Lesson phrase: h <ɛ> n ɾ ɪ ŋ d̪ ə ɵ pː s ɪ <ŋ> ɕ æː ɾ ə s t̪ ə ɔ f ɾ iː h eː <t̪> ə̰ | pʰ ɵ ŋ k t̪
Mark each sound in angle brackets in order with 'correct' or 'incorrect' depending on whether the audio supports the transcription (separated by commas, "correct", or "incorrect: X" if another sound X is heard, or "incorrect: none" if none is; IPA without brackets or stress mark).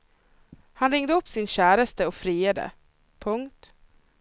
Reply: incorrect: a, incorrect: n, incorrect: d̪